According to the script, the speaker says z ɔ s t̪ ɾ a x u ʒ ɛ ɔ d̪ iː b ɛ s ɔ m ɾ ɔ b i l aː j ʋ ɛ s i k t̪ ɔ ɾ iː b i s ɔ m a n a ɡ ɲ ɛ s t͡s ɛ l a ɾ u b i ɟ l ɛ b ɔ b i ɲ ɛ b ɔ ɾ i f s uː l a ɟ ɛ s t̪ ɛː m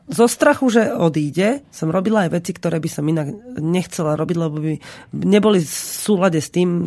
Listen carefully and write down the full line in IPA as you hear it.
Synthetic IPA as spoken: z ɔ s t̪ ɾ a x u ʒ ɛ ɔ d̪ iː ɟ ɛ s ɔ m ɾ ɔ b i l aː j ʋ ɛ t͡s i k t̪ ɔ ɾ ɛː b i s ɔ m i n a ɡ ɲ ɛ x t͡s ɛ l a ɾ ɔ b i ɟ l ɛ b ɔ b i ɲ ɛ b ɔ l i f s uː l a ɟ ɛ s t̪ iː m